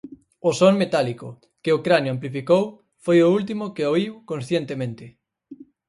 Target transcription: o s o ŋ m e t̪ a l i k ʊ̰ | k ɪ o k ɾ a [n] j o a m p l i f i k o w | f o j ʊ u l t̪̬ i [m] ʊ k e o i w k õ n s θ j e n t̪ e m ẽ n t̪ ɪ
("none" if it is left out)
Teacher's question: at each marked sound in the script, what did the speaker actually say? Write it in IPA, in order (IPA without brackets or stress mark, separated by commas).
n, m